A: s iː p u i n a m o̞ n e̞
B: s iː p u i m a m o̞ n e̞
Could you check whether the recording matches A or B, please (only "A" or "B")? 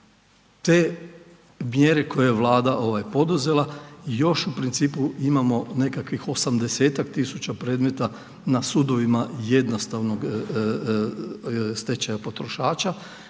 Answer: B